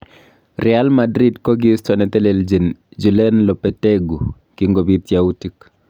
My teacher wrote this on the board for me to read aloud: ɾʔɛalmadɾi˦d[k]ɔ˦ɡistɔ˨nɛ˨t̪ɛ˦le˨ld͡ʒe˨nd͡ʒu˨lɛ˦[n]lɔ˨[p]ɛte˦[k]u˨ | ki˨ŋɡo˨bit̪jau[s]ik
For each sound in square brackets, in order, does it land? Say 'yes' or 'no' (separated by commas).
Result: yes, yes, yes, no, no